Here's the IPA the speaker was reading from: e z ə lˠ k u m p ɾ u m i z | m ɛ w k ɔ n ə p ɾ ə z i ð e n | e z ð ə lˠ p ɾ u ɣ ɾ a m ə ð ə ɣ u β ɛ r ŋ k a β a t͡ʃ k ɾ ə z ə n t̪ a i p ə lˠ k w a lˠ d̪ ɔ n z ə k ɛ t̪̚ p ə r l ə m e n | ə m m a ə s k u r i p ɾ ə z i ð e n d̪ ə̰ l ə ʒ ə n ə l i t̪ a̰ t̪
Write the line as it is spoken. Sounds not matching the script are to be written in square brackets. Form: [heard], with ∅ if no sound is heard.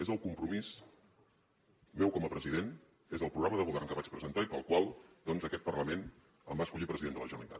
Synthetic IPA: e z ə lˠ k u m p ɾ u m i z | m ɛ w k ɔ [m] ə p ɾ ə z i ð e n | e z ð ə lˠ p ɾ u ɣ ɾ a m ə ð ə ɣ u β ɛ r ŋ k [ə] β a t͡ʃ [p] ɾ ə z ə n t̪ a i p ə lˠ k w a lˠ d̪ ɔ n z ə k ɛ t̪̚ p ə r l ə m e n | ə m [b] a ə s k u [ʎ] i p ɾ ə z i ð e n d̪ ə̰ l ə ʒ ə n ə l i t̪ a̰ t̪

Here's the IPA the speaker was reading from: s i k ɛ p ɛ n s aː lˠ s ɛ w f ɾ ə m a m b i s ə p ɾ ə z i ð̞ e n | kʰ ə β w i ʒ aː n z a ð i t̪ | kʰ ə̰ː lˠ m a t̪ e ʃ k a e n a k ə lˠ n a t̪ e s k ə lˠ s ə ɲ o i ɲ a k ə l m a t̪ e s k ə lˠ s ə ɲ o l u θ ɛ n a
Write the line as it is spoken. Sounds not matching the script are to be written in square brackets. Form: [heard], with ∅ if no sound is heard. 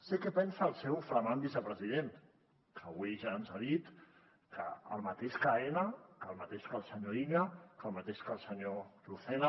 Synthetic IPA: s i k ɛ p ɛ n s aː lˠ s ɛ w f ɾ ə m a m b i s ə p ɾ ə z i ð̞ e n | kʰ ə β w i ʒ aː n z a ð i t̪ | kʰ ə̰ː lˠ m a t̪ e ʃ k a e n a k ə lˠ [m] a t̪ e [ʃ] k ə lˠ s ə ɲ o i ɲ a k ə l m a t̪ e [ʃ] k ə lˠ s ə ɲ o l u θ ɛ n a

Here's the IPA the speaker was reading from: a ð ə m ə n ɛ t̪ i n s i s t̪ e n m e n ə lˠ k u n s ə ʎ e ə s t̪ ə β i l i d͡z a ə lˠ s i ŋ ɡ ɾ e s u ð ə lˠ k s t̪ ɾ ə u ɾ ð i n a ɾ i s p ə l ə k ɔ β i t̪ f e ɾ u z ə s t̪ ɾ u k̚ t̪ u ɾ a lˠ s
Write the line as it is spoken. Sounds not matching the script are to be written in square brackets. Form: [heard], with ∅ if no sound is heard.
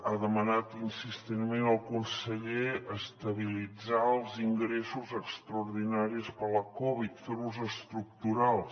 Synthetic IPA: a ð ə m ə n [a] t̪ i n s i s t̪ e n m e n ə lˠ k u n s ə ʎ e ə s t̪ ə β i l i d͡z a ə lˠ [z] i ŋ ɡ ɾ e s u [z] ə [∅] k s t̪ ɾ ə u ɾ ð i n a ɾ i s p ə l ə k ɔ β i t̪ f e ɾ u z ə s t̪ ɾ u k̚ t̪ u ɾ a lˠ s

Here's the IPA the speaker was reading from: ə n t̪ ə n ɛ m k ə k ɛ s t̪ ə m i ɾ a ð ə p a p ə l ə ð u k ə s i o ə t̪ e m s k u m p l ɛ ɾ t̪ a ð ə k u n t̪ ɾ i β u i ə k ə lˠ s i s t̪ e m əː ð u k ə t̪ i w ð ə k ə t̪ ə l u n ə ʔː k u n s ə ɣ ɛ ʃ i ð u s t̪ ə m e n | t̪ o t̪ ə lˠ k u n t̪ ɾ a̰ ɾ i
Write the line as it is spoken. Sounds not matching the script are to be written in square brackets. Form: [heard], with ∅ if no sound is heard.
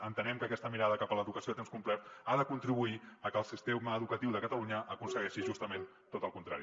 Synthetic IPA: ə n t̪ ə n ɛ m k ə k ɛ s t̪ ə m i ɾ a ð ə [k] a p ə l ə ð u k ə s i o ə t̪ e m s k u m p l ɛ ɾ t̪ a ð ə k u n t̪ ɾ i β u i ə k ə lˠ s i s t̪ e m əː ð u k ə t̪ i w ð ə k ə t̪ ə l u [ɲ] ə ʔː k u n s ə ɣ ɛ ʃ i [ʒ] u s t̪ ə m e n | t̪ o t̪ ə lˠ k u n t̪ ɾ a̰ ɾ i

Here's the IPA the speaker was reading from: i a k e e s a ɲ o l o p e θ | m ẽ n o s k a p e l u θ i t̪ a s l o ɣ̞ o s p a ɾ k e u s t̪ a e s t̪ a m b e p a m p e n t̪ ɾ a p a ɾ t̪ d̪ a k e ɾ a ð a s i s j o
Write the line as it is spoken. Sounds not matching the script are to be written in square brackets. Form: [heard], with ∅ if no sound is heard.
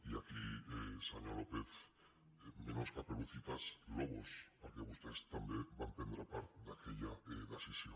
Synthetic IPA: i a k [i] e s a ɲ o l o p e θ | m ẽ n o s k a p e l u θ i t̪ a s l o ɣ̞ o s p a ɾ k e u s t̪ a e s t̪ a m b e [b] a m p e n [d̪] ɾ a p a ɾ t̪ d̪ a k e [ʎ] a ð a s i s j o

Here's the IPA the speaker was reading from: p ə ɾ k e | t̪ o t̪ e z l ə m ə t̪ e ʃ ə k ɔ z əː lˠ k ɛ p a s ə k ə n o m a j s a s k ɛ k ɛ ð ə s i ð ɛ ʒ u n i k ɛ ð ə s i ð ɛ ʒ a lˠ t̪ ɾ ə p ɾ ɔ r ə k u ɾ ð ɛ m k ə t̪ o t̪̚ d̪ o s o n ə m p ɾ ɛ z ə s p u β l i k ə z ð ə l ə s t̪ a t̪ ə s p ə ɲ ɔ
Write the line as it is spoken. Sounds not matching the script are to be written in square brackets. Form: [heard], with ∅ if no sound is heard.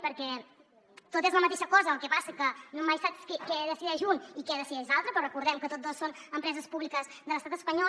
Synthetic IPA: p ə ɾ k [ɛ] | t̪ o t̪ e z l ə m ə t̪ e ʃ ə k ɔ z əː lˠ k ɛ p a s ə k ə n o m a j s a s k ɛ k ɛ ð ə s i ð ɛ ʒ u n i k ɛ ð ə s i ð ɛ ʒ a lˠ t̪ ɾ ə p ɾ ɔ r ə k u ɾ ð ɛ m k ə t̪ o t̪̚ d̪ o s o n ə m p ɾ ɛ z ə s p u β l i k ə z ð ə l ə s t̪ a t̪ ə s p ə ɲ ɔ

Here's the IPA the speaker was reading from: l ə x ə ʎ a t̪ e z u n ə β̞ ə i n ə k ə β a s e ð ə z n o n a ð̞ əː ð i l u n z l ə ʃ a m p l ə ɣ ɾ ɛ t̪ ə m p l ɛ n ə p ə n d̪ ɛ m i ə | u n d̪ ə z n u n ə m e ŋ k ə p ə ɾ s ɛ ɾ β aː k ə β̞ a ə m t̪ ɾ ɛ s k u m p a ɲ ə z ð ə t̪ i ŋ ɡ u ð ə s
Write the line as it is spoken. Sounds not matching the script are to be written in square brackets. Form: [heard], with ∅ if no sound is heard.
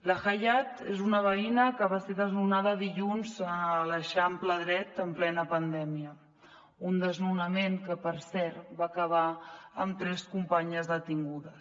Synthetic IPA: l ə x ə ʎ a t̪ e z u n ə β̞ ə i n ə k ə β a s e ð ə z n [u] n a ð̞ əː ð i [ʎ] u n z l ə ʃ a m p l ə [ð] ɾ ɛ t̪ ə m p l ɛ n ə p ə n d̪ ɛ m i ə | u n d̪ ə z n u n ə m e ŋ k ə p ə ɾ s ɛ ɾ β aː k ə β̞ a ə m t̪ ɾ ɛ s k u m p a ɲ ə z ð ə t̪ i ŋ ɡ u ð ə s

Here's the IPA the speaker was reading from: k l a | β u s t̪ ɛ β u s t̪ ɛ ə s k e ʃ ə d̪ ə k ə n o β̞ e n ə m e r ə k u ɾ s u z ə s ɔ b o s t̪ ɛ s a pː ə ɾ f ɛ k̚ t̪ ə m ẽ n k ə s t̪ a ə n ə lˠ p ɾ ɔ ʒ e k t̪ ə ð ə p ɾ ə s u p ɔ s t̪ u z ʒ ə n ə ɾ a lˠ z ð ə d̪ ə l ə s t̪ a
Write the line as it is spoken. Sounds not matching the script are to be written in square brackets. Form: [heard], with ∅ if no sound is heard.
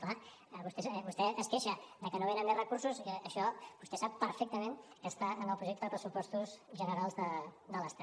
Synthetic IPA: k l a | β u s t̪ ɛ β u s t̪ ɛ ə s k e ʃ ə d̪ ə k ə n o β̞ e n ə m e r ə k u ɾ s u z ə [ʃ] ɔ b [u] s t̪ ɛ s a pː ə ɾ f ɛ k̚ t̪ ə m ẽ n k ə s t̪ a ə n ə lˠ p ɾ [u] ʒ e k t̪ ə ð ə p ɾ ə s u p ɔ s t̪ u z ʒ ə n ə ɾ a lˠ z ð ə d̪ ə l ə s t̪ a

